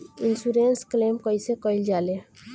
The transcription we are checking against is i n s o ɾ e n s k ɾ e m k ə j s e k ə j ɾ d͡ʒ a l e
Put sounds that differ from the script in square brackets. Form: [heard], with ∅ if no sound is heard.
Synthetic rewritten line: i n s [u] ɾ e n s k [l] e m k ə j s e k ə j [l] d͡ʒ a l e